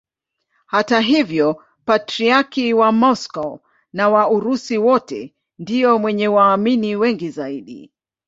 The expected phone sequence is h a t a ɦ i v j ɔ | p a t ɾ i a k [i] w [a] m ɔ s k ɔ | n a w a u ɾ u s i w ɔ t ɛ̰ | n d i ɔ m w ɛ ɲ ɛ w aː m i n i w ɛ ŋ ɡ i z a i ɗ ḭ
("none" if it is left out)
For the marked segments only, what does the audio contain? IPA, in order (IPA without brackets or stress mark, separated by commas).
i, a